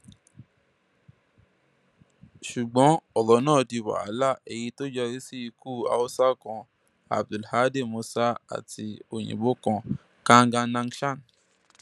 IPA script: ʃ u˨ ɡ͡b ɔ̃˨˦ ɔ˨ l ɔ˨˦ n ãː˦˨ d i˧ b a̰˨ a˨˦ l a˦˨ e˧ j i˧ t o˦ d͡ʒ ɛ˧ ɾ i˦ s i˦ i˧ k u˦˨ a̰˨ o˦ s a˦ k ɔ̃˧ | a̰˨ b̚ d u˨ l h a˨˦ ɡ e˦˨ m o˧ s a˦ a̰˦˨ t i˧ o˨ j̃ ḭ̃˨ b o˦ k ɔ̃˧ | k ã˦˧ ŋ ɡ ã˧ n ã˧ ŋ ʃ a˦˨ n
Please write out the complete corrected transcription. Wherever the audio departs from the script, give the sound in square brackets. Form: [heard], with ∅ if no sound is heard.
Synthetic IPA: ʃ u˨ ɡ͡b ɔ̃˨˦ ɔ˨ l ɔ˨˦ n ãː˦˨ d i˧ [w] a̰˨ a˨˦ l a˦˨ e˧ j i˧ t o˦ d͡ʒ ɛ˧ ɾ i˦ s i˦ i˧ k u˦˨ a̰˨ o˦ s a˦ k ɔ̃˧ | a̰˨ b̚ d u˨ l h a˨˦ [d] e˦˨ m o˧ s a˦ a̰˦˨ t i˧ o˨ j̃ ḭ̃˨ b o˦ k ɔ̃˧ | k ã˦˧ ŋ ɡ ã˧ n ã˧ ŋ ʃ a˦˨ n